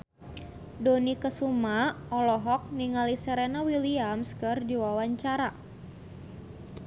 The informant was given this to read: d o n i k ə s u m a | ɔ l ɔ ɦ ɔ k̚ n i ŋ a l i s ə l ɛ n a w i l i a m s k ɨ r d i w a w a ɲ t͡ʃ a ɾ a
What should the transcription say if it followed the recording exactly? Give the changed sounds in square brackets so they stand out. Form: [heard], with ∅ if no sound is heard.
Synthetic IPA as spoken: d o n i k ə s u m a | ɔ l ɔ ɦ ɔ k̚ n i ŋ a l i s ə [ɾ] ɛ n a w i l i a m s k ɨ r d i w a w a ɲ t͡ʃ a ɾ a